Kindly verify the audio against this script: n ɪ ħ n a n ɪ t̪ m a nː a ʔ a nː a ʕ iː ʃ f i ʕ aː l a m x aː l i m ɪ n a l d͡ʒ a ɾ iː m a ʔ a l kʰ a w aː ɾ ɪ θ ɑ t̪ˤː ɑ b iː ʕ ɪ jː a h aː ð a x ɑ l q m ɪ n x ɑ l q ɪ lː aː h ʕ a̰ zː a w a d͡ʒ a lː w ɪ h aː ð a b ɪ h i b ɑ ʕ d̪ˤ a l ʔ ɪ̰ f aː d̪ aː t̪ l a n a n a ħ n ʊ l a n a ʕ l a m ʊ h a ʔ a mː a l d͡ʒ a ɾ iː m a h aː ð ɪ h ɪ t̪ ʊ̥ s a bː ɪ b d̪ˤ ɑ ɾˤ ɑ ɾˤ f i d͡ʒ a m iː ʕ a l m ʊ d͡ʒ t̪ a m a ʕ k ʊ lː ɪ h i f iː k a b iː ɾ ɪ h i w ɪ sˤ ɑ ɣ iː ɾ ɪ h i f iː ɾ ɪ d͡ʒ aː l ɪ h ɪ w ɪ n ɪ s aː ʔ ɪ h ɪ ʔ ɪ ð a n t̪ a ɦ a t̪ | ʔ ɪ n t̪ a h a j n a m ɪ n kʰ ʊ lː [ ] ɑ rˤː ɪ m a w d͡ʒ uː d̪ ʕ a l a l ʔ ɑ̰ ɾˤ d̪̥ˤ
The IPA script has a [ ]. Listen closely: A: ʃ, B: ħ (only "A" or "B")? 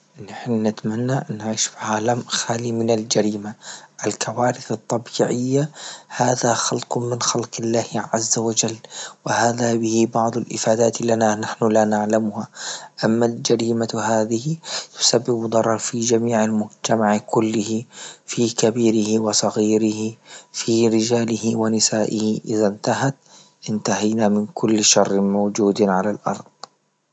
A